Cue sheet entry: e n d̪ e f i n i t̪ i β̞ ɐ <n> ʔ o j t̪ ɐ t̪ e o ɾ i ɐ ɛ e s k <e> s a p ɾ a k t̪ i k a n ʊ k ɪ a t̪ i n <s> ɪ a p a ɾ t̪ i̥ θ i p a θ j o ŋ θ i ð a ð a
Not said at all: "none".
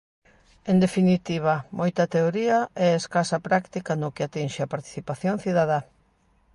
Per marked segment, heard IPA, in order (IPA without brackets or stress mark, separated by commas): m, a, ʃ